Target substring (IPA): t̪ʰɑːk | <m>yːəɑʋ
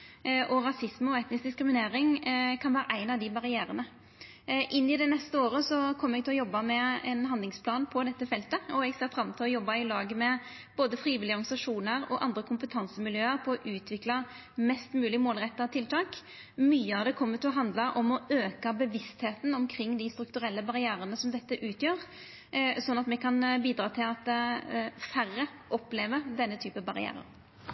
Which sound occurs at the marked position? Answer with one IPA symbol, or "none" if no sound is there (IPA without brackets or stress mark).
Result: m